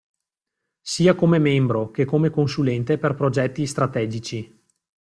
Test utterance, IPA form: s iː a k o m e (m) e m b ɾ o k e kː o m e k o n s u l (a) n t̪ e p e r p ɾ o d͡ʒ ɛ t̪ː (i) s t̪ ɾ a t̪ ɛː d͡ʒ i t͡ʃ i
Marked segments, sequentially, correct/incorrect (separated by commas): correct, incorrect, correct